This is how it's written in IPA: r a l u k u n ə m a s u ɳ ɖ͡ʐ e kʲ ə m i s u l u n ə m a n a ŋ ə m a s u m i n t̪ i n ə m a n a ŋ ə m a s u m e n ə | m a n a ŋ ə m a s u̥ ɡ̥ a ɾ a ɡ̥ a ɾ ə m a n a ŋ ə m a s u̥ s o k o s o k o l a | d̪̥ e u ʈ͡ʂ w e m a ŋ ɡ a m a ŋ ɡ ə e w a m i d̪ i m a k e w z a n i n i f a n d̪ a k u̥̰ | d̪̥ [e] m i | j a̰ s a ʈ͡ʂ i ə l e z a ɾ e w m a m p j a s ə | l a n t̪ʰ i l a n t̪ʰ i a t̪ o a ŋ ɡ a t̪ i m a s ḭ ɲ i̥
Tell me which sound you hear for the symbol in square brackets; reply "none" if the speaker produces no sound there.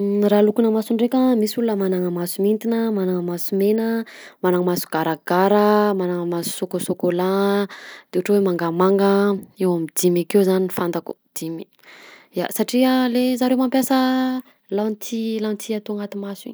i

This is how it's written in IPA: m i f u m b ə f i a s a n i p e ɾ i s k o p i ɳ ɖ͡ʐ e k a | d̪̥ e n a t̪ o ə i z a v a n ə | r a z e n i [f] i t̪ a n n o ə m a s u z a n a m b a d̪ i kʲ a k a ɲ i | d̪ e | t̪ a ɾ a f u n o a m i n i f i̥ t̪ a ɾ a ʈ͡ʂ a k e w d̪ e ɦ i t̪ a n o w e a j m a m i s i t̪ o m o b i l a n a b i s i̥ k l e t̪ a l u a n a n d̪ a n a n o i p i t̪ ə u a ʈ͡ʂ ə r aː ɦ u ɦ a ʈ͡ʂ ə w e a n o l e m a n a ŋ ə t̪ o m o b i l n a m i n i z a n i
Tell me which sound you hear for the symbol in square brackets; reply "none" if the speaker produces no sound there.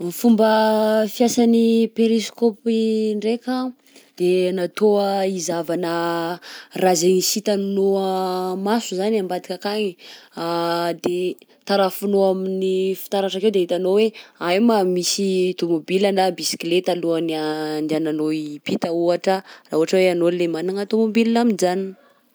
s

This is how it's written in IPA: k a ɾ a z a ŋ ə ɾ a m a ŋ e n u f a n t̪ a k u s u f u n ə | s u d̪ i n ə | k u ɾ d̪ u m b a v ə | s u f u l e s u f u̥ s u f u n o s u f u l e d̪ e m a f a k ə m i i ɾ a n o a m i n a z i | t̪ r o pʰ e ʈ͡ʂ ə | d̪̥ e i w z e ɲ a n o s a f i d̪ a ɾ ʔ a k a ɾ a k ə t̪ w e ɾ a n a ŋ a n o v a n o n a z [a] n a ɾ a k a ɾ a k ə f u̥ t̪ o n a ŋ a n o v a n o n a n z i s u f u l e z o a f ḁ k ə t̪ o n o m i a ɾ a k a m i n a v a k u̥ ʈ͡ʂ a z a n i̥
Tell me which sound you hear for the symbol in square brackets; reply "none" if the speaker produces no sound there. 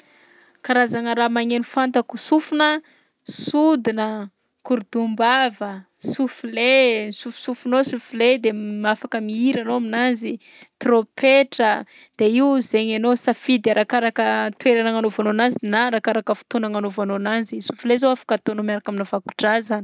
i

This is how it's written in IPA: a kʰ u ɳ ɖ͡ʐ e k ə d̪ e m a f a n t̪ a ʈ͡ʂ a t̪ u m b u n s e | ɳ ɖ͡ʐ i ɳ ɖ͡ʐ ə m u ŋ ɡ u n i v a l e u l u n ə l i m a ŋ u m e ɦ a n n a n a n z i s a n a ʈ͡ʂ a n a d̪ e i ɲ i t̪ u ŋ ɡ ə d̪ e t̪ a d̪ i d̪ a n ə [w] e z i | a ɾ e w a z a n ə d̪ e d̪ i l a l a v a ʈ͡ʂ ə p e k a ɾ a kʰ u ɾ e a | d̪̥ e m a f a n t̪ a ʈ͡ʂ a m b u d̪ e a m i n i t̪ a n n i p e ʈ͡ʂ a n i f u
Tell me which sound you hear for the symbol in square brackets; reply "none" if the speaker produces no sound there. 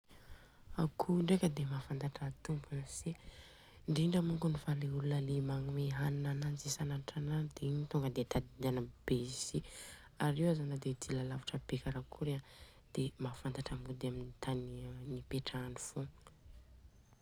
b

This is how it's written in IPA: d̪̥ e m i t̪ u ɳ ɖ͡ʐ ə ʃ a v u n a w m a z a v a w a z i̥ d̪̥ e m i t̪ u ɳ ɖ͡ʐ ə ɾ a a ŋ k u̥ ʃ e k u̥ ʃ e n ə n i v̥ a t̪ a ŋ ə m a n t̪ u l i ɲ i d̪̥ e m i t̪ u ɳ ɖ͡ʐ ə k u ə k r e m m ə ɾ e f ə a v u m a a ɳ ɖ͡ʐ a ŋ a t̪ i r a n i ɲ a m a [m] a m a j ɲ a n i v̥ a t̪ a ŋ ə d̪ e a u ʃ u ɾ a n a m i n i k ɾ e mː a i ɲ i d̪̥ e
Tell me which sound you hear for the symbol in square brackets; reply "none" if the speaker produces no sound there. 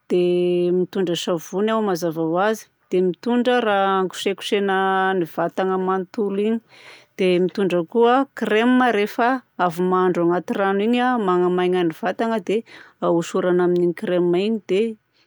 ŋ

